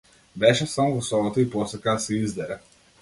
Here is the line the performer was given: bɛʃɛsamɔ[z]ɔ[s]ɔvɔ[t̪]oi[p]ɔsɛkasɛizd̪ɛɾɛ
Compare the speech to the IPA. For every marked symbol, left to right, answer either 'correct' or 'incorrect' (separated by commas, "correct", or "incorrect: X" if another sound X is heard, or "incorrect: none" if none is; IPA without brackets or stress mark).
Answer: incorrect: v, correct, correct, correct